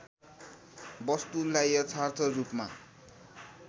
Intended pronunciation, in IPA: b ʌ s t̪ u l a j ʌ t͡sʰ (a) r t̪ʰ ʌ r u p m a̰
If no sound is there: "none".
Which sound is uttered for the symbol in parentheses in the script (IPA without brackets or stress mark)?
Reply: a